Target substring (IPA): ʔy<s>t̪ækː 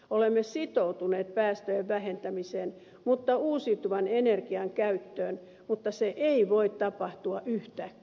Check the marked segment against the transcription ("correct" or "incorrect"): incorrect